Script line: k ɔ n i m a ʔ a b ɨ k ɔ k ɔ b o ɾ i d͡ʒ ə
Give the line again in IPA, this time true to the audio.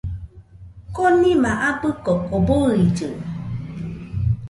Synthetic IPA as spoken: k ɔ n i m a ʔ a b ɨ k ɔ k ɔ b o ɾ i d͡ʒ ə